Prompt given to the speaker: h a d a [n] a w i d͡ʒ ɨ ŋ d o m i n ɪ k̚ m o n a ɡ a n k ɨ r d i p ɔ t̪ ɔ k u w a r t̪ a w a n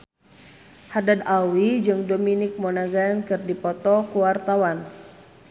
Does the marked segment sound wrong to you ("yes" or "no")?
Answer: yes